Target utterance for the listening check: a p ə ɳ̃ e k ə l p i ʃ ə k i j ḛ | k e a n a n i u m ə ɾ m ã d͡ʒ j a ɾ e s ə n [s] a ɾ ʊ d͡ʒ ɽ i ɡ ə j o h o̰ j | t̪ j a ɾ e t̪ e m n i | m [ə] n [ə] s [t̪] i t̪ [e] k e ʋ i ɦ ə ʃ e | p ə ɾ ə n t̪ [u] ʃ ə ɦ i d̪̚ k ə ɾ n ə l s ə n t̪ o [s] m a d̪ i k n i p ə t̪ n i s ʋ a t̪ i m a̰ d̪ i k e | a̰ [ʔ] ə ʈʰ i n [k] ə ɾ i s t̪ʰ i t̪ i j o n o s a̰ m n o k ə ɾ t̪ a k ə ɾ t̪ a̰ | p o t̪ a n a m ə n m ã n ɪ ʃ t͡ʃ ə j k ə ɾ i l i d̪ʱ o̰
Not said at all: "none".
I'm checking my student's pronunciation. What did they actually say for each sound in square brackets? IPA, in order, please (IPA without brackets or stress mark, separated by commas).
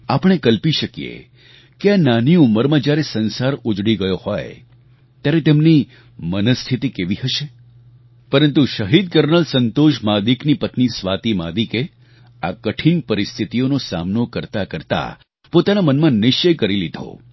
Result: s, ə, ə, t̪ʰ, i, u, ʃ, k, p